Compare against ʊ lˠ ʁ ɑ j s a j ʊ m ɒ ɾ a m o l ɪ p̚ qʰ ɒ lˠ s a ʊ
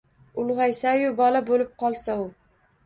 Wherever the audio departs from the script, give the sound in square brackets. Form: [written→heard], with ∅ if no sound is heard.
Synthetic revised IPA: ʊ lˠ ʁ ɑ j s a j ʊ [m→b] ɒ [ɾ→l] a [m→b] o l ɪ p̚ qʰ ɒ lˠ s a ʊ